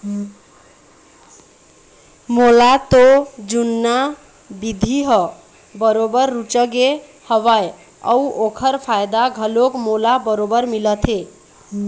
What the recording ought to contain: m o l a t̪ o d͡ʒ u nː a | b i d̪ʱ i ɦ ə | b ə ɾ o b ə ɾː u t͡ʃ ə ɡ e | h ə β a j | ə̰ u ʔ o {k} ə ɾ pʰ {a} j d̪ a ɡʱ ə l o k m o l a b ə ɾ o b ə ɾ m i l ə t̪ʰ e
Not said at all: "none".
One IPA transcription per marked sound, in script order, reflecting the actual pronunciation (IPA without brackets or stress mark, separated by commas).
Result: kʰ, a